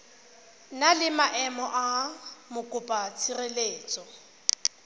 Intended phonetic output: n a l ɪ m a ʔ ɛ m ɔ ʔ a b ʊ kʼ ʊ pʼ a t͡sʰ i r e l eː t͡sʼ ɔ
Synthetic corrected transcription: n a l ɪ m a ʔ ɛ m ɔ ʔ a m ʊ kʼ ʊ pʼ a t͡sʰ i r e l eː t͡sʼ ɔ